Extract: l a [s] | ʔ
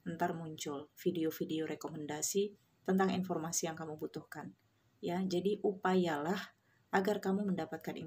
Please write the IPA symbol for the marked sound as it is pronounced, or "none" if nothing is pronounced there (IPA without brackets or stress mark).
h